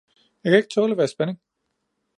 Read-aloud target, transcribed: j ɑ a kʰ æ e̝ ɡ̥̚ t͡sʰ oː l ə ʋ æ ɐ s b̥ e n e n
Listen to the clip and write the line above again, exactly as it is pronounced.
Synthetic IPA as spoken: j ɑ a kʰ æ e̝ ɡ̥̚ t͡sʰ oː l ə ʋ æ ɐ s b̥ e n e ŋ